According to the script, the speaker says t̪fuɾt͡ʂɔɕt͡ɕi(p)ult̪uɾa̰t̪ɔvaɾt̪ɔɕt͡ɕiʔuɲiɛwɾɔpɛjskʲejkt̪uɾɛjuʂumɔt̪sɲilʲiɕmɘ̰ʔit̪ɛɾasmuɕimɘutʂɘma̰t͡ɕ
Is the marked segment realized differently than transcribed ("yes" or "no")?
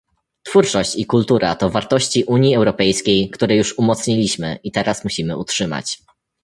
yes